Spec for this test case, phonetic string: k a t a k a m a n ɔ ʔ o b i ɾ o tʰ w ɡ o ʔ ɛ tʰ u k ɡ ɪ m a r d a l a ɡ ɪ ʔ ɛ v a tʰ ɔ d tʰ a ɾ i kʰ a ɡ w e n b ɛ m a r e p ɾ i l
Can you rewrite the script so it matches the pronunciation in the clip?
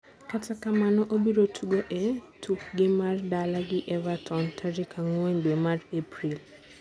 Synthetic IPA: k a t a k a m a n ɔ ʔ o b i ɾ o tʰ u ɡ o ʔ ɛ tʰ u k ɡ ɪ m a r d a l a ɡ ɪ ʔ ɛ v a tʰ ɔ n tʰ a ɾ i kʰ a ŋ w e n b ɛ m a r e p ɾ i l